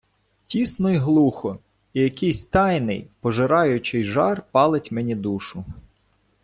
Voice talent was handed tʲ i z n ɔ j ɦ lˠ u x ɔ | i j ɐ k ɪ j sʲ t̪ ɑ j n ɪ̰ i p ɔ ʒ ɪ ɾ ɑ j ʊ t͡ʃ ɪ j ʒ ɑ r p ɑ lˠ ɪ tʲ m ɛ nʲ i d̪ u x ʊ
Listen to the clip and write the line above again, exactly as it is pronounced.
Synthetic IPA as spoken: tʲ i s n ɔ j ɦ lˠ u x ɔ | i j ɐ k ɪ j sʲ t̪ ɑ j n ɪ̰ j p ɔ ʒ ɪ ɾ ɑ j ʊ t͡ʃ ɪ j ʒ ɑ r p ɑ lˠ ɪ tʲ m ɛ nʲ i d̪ u ʃ ʊ